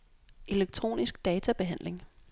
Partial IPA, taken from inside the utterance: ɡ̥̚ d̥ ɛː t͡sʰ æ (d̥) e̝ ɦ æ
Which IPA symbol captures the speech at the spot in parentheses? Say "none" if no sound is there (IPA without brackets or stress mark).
b̥